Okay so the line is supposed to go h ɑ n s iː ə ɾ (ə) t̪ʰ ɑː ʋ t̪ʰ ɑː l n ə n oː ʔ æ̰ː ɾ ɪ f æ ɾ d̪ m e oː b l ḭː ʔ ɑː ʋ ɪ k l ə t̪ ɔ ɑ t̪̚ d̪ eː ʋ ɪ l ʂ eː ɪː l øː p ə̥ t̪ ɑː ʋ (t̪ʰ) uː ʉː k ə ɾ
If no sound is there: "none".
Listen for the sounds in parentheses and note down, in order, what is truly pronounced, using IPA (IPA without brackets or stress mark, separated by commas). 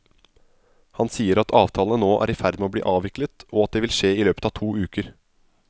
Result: ɑ, t̪ʰ